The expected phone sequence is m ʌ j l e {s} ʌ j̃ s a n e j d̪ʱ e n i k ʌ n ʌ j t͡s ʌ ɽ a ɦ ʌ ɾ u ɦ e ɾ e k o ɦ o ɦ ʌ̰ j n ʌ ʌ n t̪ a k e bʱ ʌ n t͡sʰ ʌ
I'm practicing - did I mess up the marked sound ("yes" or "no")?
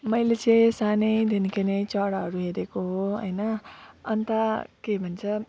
yes